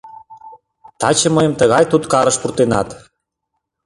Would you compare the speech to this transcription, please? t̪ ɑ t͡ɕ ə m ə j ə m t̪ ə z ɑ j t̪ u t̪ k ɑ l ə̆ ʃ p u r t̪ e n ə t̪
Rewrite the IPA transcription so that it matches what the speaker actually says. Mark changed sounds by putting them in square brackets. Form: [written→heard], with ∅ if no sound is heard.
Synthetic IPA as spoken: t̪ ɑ t͡ɕ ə m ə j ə m t̪ ə [z→ɣ] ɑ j t̪ u t̪ k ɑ [l→ɾ] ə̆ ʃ p u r t̪ e n [ə→ɑ] t̪